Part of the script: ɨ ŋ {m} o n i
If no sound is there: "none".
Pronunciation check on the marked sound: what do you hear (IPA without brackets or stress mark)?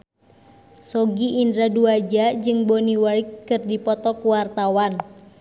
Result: b